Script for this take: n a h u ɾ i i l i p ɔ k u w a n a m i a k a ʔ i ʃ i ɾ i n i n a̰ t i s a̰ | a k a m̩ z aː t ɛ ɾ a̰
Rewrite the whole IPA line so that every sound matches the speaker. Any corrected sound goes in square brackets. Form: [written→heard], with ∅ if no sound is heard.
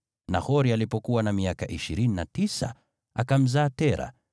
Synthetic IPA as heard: n a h [u→ɔ] ɾ i [i→a] l i p ɔ k u w a n a m i a k a ʔ i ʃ i ɾ i n i n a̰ t i s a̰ | a k a m̩ z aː t ɛ ɾ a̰